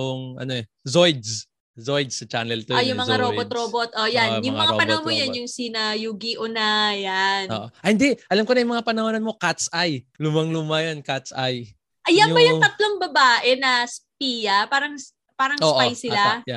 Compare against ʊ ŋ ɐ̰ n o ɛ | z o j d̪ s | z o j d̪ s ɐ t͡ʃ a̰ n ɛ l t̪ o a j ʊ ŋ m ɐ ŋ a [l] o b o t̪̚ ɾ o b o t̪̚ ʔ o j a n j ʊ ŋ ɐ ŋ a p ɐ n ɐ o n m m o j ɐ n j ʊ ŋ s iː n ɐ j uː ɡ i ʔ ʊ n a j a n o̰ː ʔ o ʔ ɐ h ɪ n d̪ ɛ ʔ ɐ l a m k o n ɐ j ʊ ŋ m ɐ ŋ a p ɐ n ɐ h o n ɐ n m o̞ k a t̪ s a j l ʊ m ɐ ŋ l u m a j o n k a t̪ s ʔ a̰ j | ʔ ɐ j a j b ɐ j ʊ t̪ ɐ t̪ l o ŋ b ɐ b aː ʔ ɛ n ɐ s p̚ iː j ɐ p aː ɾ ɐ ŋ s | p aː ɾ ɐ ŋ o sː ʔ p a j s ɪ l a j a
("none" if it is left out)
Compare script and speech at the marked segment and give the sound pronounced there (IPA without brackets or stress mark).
ɾ